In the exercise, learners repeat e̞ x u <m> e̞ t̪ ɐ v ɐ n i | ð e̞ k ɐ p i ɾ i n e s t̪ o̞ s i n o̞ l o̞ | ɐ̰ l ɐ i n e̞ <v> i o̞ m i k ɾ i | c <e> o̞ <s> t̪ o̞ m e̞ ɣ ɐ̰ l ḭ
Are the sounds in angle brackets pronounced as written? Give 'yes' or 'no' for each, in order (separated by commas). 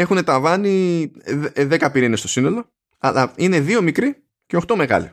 no, no, yes, no